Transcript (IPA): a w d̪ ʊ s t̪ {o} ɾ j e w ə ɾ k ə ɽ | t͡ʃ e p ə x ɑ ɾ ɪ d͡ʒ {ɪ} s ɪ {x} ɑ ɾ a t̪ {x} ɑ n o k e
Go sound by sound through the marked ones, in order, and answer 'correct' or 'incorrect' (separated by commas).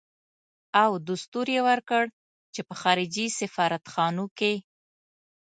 incorrect, incorrect, incorrect, correct